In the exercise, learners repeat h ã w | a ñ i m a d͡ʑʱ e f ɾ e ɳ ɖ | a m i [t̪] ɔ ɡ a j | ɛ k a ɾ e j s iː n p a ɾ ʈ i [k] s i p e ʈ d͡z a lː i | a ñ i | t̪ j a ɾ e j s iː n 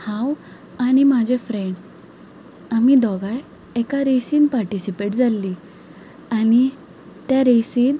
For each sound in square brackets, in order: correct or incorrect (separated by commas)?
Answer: incorrect, incorrect